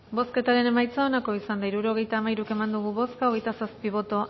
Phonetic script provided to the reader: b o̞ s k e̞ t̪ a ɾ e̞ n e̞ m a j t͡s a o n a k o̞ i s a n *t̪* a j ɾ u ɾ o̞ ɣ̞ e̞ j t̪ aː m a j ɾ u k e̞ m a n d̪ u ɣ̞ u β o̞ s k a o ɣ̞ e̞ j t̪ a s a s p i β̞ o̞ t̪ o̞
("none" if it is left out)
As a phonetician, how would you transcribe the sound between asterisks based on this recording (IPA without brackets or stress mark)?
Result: d̪